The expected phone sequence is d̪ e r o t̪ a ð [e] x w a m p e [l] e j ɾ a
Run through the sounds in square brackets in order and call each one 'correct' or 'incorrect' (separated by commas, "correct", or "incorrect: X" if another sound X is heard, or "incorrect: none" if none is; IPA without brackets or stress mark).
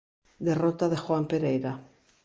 correct, incorrect: ɾ